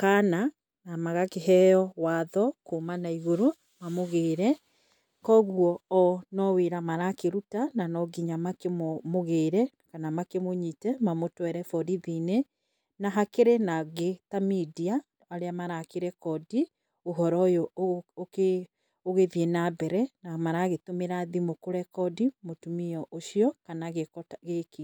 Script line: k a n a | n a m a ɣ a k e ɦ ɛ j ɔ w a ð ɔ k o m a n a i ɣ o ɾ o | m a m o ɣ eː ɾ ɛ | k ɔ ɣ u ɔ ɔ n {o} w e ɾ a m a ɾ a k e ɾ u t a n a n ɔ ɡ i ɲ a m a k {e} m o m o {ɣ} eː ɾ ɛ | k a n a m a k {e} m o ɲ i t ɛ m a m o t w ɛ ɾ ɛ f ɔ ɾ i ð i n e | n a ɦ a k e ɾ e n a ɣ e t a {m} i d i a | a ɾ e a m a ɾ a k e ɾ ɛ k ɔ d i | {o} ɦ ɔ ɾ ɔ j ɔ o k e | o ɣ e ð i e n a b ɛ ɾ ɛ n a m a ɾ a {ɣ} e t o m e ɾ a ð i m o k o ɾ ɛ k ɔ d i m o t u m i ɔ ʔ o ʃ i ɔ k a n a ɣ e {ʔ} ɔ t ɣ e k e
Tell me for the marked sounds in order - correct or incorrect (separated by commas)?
incorrect, correct, correct, correct, correct, correct, correct, incorrect